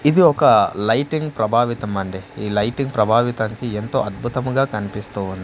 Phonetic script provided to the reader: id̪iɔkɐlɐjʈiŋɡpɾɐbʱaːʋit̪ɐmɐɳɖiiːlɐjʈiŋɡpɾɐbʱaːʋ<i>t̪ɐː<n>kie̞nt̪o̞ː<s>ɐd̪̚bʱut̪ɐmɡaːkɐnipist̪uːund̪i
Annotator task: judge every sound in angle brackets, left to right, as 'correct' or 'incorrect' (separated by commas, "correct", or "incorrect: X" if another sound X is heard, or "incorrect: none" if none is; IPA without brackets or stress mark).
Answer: correct, incorrect: ŋ, incorrect: none